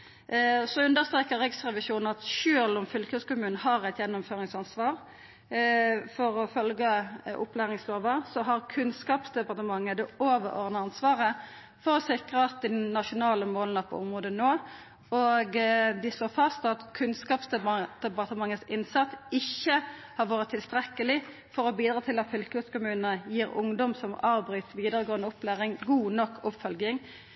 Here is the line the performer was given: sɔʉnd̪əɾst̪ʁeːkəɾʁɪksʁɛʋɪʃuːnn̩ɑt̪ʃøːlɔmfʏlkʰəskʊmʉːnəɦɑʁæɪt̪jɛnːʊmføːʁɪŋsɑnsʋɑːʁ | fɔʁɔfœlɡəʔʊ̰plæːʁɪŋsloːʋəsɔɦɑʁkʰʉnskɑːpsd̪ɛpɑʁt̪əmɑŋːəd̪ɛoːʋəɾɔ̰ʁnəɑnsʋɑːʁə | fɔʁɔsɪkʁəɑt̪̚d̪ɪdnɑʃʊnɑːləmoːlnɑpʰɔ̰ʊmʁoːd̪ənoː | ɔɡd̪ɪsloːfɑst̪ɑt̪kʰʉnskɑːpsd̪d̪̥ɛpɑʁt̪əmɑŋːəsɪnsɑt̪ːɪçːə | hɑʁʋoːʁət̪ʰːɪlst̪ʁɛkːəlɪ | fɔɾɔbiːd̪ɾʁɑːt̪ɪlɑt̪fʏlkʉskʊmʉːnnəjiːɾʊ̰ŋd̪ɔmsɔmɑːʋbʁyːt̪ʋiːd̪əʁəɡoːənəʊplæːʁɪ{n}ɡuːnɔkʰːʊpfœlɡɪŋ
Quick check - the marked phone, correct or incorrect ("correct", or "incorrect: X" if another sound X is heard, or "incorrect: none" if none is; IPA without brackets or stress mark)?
incorrect: ŋ